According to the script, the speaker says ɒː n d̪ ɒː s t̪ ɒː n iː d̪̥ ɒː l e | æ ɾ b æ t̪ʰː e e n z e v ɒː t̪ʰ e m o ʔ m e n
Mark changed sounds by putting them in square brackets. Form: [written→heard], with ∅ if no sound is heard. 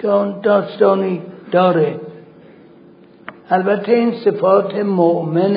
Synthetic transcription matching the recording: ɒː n d̪ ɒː s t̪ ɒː n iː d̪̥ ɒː [l→ɾ] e | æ [ɾ→l] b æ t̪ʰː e [e→i] n [z→s] e [v→f] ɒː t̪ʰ e m o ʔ m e n